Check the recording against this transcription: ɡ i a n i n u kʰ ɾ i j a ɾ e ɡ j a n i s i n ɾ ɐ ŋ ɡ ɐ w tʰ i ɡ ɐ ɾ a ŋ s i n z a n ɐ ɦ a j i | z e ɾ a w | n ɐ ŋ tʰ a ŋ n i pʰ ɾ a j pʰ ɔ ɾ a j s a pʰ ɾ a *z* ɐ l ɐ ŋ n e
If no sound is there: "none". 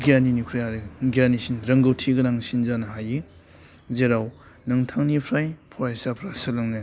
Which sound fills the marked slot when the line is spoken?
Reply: s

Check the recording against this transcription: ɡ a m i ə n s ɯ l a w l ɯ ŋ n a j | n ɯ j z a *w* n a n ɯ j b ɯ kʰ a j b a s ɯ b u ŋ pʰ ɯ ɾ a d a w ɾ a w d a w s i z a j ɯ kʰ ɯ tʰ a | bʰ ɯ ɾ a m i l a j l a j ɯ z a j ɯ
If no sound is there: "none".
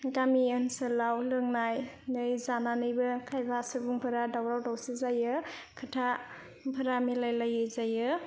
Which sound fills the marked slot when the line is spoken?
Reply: none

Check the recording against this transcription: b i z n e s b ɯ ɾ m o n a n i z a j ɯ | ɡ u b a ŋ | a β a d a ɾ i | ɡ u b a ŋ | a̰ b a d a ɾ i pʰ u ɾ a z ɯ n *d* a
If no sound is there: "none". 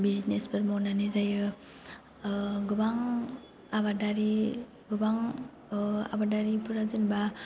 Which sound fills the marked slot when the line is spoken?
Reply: b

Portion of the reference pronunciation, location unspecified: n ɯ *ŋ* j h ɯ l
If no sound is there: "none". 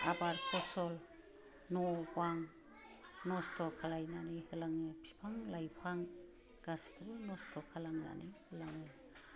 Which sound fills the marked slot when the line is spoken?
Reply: none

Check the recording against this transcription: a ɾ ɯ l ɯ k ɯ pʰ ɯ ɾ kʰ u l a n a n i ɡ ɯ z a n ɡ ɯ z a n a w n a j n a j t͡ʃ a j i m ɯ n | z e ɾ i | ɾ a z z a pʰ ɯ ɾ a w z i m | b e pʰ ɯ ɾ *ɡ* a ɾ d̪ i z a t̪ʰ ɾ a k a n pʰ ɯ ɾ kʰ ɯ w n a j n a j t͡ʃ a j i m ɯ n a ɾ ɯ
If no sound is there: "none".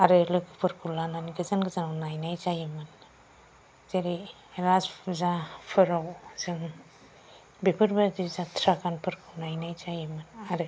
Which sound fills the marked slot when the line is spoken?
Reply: b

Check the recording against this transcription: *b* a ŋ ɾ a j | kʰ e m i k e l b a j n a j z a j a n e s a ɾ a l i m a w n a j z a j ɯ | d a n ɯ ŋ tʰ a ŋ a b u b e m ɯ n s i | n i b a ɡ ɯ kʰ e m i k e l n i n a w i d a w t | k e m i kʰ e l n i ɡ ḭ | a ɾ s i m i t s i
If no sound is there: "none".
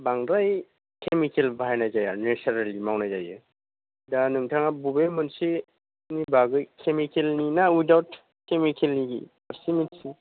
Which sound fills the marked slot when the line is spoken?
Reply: b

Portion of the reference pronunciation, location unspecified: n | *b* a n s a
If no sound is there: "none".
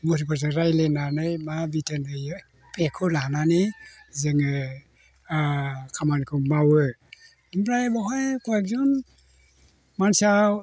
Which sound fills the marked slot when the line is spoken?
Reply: m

